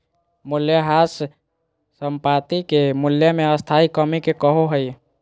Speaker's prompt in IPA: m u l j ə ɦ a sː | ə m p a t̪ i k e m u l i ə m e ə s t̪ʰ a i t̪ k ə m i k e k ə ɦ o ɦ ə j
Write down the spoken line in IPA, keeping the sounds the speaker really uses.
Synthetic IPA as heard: m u l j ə ɦ a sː | ə m p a t̪ i k e m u l j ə m e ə s t̪ʰ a i k ə m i k e k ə ɦ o ɦ ə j